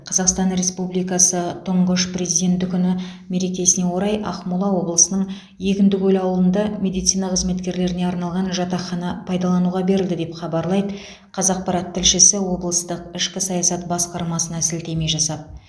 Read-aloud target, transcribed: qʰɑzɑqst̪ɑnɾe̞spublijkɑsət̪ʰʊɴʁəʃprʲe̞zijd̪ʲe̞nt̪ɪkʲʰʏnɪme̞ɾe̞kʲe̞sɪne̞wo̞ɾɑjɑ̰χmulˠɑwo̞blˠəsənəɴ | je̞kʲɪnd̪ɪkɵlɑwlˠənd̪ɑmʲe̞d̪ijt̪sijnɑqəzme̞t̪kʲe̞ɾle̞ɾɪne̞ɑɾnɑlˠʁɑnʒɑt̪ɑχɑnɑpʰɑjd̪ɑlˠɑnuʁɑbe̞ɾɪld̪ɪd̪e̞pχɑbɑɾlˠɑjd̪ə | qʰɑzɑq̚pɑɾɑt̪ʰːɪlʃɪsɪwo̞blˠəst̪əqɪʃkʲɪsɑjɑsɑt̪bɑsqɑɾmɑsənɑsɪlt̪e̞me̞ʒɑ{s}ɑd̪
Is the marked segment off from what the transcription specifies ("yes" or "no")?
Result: no